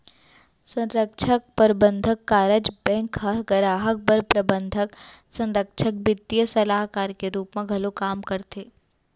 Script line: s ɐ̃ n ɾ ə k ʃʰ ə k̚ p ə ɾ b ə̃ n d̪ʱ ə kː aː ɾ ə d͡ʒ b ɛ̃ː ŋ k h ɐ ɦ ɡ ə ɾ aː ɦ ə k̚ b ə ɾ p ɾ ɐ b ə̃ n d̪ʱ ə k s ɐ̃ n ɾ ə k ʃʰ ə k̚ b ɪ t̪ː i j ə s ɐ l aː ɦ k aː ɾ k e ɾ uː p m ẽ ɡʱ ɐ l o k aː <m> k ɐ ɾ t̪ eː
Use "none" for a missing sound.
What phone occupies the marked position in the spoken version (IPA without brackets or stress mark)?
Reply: m